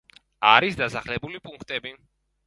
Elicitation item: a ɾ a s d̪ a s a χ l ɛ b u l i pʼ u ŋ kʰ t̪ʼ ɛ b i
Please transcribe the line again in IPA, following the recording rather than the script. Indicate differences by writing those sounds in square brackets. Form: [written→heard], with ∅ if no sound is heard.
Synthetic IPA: a ɾ [a→i] s d̪ a s a χ l ɛ b u l i pʼ u ŋ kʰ t̪ʼ ɛ b i